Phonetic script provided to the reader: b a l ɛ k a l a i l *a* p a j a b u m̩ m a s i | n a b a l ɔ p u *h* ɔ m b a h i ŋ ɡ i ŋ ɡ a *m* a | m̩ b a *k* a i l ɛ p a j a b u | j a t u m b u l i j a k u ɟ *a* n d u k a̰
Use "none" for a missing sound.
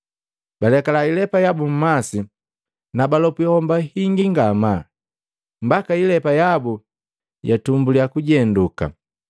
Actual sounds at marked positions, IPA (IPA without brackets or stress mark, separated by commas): ɛ, h, m, k, ɛ